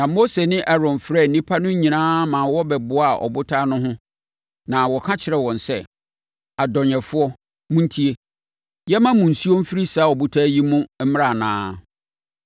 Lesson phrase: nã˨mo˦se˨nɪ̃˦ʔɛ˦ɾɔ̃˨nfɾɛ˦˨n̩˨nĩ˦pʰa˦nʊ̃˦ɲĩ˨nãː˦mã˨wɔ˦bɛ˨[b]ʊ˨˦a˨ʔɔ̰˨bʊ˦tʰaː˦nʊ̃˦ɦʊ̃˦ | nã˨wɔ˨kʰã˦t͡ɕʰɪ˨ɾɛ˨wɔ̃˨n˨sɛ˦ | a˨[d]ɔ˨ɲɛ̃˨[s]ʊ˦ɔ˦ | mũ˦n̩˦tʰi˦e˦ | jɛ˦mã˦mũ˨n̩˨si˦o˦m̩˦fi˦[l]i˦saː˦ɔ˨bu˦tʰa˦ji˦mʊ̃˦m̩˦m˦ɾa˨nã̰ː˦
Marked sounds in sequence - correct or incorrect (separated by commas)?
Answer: correct, correct, incorrect, incorrect